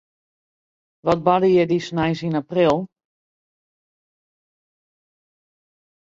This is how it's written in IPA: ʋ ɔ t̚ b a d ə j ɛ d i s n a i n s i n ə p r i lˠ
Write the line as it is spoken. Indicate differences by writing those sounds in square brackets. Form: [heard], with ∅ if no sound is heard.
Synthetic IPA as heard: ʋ ɔ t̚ b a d ə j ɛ d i s n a [j] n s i n [a] p r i lˠ